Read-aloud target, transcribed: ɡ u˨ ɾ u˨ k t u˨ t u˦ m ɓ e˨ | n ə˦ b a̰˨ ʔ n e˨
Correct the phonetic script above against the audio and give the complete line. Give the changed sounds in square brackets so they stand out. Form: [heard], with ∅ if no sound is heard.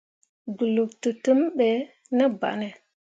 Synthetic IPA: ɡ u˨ [l] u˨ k t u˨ t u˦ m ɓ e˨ | n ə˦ b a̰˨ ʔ n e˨